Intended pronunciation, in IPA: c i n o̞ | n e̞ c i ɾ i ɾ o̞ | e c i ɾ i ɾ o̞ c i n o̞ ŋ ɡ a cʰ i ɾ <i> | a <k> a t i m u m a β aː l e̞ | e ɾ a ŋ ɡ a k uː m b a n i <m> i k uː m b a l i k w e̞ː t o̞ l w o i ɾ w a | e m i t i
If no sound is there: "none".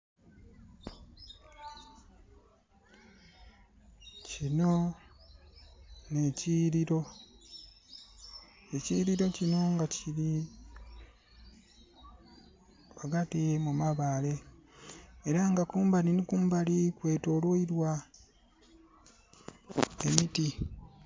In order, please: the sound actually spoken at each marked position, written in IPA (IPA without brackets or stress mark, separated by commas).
i, ɡ, n